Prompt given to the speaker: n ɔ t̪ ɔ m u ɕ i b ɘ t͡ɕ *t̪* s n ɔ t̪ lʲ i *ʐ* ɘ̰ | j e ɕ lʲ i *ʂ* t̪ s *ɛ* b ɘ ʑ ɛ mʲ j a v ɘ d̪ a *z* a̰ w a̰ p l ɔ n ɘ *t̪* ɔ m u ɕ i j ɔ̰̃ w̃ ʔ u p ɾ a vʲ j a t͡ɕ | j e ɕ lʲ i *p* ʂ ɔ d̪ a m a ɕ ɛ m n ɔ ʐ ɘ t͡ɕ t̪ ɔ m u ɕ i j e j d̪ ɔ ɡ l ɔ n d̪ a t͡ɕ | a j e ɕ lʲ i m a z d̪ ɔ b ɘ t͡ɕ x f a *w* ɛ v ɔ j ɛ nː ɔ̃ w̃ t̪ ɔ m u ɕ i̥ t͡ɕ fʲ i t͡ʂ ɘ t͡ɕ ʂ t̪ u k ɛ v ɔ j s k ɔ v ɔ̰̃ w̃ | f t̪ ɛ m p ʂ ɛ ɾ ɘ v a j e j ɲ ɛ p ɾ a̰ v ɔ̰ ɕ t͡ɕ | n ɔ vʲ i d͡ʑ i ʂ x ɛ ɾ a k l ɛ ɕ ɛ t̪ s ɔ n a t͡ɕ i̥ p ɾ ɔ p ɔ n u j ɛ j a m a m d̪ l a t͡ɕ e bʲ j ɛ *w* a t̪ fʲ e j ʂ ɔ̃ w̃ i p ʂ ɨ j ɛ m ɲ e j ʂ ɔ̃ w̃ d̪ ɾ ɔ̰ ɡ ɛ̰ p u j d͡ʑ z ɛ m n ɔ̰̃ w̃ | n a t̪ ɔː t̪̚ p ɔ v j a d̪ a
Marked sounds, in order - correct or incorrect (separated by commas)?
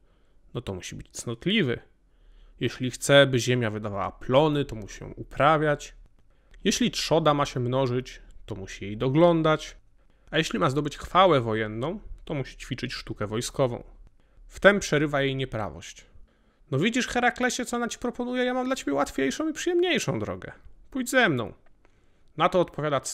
correct, incorrect, incorrect, correct, incorrect, correct, incorrect, correct, correct